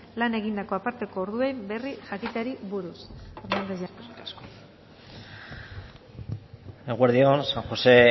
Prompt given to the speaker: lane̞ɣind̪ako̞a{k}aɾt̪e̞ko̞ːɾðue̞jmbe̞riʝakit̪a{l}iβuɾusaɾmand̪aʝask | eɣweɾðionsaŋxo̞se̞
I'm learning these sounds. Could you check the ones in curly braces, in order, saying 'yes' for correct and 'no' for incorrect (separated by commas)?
no, no